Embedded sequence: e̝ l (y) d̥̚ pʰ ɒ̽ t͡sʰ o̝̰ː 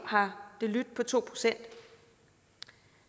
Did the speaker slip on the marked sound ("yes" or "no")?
no